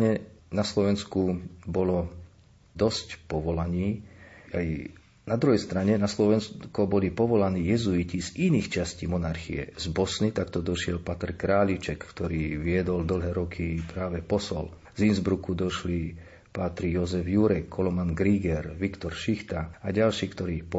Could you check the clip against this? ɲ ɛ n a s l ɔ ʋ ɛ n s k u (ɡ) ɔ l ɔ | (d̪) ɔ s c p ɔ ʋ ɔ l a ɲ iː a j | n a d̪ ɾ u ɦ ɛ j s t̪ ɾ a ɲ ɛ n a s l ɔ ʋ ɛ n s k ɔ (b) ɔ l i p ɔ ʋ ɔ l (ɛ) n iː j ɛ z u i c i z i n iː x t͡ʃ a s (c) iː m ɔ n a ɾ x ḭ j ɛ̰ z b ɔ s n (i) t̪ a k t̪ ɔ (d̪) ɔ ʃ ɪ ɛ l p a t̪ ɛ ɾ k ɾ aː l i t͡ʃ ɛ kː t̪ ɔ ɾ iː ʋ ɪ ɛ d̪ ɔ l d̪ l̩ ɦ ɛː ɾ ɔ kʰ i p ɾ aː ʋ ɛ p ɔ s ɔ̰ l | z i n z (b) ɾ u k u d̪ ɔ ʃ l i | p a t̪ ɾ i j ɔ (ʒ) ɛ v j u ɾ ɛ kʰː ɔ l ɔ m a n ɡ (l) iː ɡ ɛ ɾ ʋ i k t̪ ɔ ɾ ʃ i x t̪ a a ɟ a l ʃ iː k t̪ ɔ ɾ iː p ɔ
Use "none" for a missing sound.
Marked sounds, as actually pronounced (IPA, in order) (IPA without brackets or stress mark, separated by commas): b, d̪, b, a, c, i, d̪, b, z, ɾ